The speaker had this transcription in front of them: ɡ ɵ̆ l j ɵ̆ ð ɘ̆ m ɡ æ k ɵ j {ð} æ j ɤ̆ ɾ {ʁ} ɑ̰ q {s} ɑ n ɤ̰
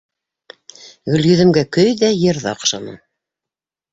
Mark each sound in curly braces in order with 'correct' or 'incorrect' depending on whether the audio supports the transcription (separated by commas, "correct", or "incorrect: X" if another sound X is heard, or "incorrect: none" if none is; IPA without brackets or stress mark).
correct, incorrect: ð, incorrect: ʃ